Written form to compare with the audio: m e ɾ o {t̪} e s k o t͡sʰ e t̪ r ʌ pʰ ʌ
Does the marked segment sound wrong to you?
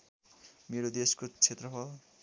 yes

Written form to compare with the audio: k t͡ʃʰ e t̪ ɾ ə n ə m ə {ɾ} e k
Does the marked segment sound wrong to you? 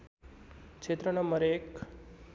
no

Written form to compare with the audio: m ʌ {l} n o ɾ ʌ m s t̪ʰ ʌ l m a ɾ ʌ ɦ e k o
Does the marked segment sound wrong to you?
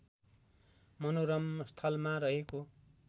yes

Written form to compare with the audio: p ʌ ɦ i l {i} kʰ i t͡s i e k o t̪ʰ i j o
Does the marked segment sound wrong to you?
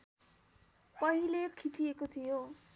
yes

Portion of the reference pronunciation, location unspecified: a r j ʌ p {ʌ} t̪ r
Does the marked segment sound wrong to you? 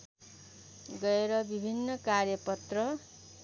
no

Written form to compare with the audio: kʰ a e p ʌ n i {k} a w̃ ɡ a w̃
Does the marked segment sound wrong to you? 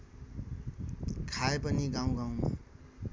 yes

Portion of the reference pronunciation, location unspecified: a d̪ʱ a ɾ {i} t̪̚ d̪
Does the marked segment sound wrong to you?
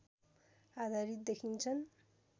no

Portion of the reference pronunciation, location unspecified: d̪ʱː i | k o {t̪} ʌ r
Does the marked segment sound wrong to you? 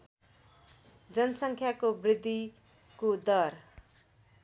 yes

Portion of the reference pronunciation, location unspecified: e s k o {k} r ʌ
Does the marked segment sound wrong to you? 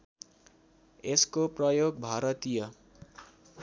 yes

